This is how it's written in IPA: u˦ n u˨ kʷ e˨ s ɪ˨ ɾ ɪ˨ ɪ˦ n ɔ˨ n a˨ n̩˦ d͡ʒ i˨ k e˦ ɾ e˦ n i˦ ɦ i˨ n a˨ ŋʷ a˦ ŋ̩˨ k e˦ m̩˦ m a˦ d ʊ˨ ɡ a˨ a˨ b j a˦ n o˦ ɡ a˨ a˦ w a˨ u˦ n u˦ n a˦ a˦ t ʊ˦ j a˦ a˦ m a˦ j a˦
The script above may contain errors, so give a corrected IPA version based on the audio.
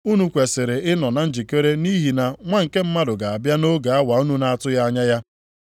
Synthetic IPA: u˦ n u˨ kʷ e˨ s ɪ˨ ɾ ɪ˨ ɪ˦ n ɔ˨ n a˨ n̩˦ d͡ʒ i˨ k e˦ ɾ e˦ n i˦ ɦ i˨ n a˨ ŋʷ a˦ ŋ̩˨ k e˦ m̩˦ m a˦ d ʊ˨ ɡ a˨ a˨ b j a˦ n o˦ ɡ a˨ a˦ w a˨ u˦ n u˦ n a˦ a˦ t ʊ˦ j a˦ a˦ ɲ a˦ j a˦